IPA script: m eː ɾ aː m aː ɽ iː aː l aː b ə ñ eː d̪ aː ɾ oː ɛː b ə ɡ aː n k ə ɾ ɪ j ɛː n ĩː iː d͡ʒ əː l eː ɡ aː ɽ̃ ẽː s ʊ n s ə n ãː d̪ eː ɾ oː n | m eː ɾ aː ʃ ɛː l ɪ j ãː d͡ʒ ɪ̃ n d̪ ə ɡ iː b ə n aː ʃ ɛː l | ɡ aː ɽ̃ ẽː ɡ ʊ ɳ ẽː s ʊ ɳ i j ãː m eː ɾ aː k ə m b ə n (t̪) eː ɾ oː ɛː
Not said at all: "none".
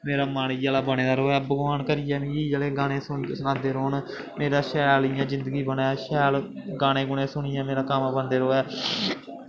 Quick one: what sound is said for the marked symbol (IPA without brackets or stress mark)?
d̪